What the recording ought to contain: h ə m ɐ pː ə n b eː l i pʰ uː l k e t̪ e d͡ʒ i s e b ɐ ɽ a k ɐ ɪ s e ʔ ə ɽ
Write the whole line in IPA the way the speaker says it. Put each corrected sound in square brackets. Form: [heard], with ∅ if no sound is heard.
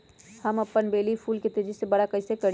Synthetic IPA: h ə m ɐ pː ə n b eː l i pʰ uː l k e t̪ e d͡ʒ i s e b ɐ ɽ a k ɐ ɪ s e [k] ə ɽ